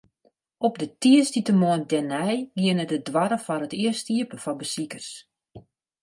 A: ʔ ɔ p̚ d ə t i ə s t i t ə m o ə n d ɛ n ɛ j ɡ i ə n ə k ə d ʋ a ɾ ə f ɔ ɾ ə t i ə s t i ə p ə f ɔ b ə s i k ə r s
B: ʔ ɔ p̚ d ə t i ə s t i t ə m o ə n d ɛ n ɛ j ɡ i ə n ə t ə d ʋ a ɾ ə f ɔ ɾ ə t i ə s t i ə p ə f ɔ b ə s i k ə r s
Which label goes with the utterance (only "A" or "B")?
B